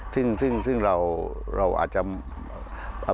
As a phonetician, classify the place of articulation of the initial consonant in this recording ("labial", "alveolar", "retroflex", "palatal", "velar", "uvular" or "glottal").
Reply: alveolar